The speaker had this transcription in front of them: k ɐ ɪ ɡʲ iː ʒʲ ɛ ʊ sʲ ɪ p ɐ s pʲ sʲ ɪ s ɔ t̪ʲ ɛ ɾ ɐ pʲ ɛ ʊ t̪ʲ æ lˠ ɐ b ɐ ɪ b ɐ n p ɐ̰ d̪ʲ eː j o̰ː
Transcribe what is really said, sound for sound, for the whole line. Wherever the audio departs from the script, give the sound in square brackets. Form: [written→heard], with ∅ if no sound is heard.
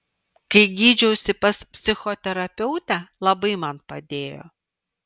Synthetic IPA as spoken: k ɐ ɪ ɡʲ iː [ʒʲ→d͡ʒʲ] ɛ ʊ sʲ ɪ p ɐ s pʲ sʲ ɪ [s→x] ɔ t̪ʲ ɛ ɾ ɐ pʲ ɛ ʊ t̪ʲ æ lˠ ɐ b ɐ ɪ [b→m] ɐ n p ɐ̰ d̪ʲ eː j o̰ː

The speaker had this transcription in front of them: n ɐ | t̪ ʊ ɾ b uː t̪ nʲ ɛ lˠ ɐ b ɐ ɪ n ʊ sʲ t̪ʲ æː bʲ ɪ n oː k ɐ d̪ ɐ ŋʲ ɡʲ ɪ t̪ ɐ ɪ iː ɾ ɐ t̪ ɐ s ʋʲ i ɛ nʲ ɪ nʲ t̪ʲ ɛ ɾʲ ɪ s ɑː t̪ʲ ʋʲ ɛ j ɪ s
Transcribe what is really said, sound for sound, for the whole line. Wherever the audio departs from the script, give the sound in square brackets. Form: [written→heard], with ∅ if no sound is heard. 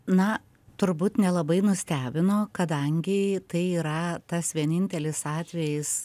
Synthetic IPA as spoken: n ɐ | t̪ ʊ ɾ b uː t̪ nʲ ɛ lˠ ɐ b ɐ ɪ n ʊ sʲ t̪ʲ æː bʲ ɪ n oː k ɐ d̪ ɐ ŋʲ ɡʲ ɪ t̪ ɐ ɪ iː ɾ ɐ t̪ ɐ s ʋʲ i ɛ nʲ ɪ nʲ t̪ʲ ɛ [ɾʲ→lʲ] ɪ s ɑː t̪ʲ ʋʲ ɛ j ɪ s

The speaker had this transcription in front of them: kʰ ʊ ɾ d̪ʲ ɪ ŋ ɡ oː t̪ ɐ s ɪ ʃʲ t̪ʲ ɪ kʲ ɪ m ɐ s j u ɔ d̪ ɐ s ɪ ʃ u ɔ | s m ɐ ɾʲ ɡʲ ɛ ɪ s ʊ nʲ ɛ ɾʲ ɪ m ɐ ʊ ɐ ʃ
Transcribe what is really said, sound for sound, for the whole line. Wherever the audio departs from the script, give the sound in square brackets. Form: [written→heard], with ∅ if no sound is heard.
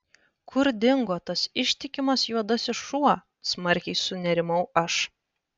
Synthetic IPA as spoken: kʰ ʊ ɾ d̪ʲ ɪ ŋ ɡ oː t̪ ɐ s ɪ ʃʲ t̪ʲ ɪ kʲ ɪ m ɐ s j u ɔ d̪ ɐ s ɪ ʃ u ɔ | s m ɐ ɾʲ [ɡʲ→kʲ] ɛ ɪ s ʊ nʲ ɛ ɾʲ ɪ m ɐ ʊ ɐ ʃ

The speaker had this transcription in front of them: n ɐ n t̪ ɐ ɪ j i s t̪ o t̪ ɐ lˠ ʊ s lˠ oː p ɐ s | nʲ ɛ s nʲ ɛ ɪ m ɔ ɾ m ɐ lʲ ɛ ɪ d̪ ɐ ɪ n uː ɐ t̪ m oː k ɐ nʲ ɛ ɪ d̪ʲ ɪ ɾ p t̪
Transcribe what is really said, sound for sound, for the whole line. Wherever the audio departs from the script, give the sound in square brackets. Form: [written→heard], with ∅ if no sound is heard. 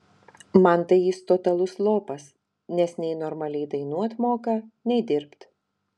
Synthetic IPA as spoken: [n→m] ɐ n t̪ ɐ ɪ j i s t̪ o t̪ ɐ lˠ ʊ s lˠ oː p ɐ s | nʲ ɛ s nʲ ɛ ɪ [m→n] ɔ ɾ m ɐ lʲ ɛ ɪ d̪ ɐ ɪ n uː ɐ t̪ m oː k ɐ nʲ ɛ ɪ d̪ʲ ɪ ɾ p t̪

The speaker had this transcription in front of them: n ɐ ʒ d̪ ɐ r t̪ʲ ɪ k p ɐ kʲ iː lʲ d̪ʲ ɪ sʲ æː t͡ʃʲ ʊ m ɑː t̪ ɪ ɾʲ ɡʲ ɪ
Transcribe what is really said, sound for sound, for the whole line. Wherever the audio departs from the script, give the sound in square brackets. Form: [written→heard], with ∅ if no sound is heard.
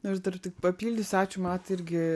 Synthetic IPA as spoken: n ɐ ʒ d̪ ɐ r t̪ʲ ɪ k p ɐ [kʲ→pʲ] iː lʲ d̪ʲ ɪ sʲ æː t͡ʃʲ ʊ m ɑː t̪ ɪ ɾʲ ɡʲ ɪ

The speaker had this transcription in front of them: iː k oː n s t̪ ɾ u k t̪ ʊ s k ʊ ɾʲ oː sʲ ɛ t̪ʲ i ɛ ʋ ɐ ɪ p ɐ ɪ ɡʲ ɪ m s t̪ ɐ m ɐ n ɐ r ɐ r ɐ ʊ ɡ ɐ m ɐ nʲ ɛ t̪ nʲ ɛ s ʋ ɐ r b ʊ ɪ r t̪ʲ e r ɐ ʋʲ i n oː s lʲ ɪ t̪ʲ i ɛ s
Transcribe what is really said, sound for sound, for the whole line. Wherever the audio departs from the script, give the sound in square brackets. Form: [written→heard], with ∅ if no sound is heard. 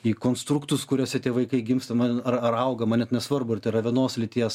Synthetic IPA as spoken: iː k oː n s t̪ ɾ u k t̪ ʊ s k ʊ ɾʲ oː sʲ ɛ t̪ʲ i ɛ ʋ ɐ ɪ [p→k] ɐ ɪ ɡʲ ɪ m s t̪ ɐ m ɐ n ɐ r ɐ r ɐ ʊ ɡ ɐ m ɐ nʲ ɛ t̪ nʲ ɛ s ʋ ɐ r b ʊ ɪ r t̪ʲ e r ɐ ʋʲ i n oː s lʲ ɪ t̪ʲ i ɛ s

